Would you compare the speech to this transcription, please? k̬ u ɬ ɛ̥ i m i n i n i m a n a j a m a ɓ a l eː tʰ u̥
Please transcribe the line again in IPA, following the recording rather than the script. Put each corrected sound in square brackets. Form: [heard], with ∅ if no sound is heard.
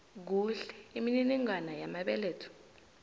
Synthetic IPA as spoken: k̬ u ɬ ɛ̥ i m i n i n i [ŋ] a n a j a m a ɓ [ɛ] l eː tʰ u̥